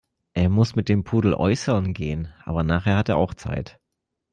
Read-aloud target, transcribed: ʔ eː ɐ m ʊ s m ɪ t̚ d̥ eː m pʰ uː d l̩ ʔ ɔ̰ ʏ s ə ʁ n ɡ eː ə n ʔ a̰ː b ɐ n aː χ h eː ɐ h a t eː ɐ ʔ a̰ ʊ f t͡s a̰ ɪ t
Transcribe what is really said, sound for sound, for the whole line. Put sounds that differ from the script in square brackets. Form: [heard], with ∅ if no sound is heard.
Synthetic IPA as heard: ʔ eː ɐ m ʊ s m ɪ t̚ d̥ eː m pʰ uː d l̩ ʔ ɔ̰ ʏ s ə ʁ n ɡ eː ə n ʔ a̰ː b ɐ n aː χ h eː ɐ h a t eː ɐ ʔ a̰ ʊ [x] t͡s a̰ ɪ t